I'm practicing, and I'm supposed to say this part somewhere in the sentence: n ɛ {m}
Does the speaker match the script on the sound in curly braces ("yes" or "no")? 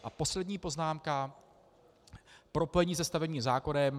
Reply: yes